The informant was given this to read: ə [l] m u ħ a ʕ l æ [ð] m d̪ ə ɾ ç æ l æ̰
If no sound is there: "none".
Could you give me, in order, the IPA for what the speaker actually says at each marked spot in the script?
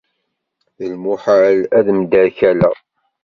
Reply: l, ð

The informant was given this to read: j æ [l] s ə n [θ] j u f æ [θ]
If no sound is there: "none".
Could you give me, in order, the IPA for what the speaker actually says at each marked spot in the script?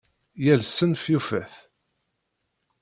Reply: l, f, θ

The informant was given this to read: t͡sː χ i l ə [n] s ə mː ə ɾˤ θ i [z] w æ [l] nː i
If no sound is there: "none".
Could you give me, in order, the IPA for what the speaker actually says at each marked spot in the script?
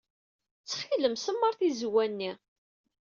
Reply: m, z, none

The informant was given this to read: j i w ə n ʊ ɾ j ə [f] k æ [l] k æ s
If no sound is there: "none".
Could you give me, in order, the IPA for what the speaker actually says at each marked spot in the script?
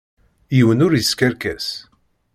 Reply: s, ɾ

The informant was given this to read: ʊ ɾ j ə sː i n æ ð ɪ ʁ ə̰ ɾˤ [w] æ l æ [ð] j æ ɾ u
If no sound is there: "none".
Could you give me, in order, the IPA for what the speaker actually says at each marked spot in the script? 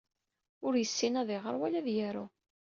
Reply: w, ð

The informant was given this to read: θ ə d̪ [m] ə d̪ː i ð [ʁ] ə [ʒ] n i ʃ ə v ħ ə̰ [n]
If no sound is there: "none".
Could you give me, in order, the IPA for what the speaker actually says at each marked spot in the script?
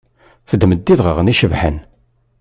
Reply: m, ʁ, ʁ, n

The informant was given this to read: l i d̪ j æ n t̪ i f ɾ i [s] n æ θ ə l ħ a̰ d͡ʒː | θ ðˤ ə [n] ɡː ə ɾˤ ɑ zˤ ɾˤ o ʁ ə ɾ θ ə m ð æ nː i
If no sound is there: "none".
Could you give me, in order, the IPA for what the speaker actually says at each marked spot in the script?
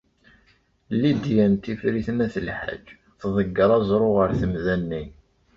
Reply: θ, none

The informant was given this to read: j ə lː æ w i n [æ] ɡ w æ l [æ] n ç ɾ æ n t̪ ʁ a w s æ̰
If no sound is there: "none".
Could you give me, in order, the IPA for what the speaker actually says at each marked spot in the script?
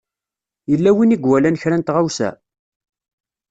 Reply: i, æ

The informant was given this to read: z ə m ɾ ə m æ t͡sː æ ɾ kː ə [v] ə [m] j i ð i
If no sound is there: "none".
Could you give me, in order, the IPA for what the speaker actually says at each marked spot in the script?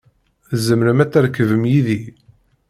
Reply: v, m

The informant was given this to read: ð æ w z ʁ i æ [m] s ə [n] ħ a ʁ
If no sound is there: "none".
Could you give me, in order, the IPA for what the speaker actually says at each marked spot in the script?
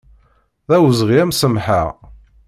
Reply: m, m

